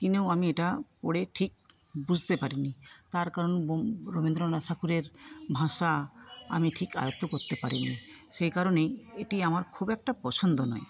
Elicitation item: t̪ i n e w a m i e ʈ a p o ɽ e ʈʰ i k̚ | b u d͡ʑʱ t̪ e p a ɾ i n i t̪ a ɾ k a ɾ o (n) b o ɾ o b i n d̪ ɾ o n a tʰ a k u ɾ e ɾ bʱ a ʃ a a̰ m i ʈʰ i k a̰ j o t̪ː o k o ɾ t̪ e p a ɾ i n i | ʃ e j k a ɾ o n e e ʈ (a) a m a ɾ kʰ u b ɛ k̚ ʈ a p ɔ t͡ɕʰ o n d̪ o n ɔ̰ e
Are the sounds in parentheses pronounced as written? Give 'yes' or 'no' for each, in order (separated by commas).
yes, no